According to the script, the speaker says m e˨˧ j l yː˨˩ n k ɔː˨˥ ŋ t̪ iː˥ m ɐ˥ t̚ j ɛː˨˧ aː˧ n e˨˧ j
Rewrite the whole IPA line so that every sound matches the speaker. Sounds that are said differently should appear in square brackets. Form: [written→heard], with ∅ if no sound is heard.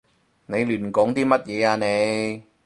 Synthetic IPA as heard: [m→n] e˨˧ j l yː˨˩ n k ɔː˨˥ ŋ t̪ iː˥ m ɐ˥ t̚ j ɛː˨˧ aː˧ n e˨˧ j